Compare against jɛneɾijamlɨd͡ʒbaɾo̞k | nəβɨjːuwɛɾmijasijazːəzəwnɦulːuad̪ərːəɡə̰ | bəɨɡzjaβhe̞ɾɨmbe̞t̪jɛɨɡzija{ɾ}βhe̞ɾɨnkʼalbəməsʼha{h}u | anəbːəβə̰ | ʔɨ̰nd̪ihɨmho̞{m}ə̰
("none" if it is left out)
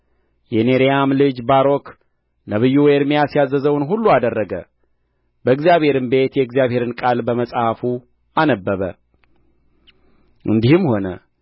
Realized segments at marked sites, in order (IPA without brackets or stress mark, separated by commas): none, f, n